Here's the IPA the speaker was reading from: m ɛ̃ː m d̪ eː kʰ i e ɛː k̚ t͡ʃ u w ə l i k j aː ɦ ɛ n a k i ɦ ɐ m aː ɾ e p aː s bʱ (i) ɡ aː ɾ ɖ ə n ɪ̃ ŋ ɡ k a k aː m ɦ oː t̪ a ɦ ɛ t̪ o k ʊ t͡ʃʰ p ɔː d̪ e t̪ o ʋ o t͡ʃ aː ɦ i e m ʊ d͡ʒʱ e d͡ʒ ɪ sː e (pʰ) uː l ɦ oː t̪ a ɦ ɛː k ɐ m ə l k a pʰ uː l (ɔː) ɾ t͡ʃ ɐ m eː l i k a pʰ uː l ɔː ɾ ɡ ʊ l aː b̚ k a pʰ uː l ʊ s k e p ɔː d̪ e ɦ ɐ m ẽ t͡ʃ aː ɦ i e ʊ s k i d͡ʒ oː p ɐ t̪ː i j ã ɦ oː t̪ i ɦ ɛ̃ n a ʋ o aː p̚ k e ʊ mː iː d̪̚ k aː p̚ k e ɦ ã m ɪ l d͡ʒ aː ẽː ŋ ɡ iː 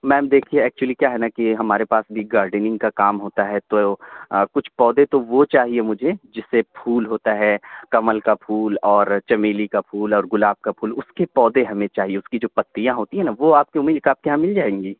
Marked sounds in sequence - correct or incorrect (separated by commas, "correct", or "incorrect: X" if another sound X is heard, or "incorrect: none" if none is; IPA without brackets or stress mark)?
correct, correct, correct